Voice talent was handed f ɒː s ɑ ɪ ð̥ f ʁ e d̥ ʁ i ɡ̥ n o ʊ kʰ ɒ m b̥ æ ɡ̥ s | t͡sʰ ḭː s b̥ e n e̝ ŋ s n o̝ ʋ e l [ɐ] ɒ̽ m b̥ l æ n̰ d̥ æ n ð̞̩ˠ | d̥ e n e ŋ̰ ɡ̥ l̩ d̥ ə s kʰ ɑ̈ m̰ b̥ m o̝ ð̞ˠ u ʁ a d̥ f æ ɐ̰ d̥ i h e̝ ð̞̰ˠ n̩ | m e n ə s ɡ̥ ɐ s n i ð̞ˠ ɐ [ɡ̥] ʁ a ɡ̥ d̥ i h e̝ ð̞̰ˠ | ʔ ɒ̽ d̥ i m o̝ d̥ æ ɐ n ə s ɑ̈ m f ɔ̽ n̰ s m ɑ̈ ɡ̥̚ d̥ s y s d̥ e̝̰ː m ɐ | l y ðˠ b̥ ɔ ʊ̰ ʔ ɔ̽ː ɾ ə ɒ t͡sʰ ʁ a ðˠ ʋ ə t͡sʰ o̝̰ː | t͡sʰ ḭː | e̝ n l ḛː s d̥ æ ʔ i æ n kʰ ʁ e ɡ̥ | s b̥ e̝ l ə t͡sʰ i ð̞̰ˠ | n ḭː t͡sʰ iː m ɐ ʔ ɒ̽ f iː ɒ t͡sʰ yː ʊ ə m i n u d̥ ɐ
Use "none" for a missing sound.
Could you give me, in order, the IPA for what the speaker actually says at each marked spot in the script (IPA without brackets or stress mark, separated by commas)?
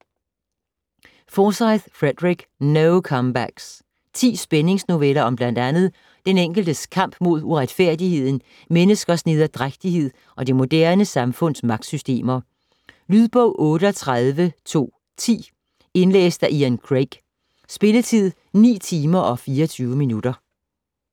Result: ɐ, d̥